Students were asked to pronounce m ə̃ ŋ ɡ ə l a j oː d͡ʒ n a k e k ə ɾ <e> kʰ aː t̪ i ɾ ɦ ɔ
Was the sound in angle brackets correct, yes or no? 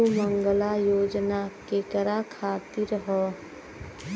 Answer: no